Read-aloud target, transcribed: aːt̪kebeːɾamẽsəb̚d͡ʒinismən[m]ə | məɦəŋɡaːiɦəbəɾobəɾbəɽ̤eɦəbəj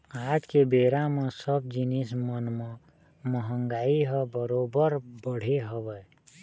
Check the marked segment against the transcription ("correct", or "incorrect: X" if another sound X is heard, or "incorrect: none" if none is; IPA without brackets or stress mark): correct